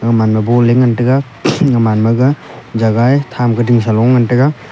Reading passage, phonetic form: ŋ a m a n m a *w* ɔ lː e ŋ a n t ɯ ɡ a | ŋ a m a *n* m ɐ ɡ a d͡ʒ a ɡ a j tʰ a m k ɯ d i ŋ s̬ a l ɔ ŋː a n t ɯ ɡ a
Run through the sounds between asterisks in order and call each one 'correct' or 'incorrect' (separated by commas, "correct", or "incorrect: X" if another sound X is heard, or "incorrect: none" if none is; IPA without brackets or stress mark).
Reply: incorrect: b, correct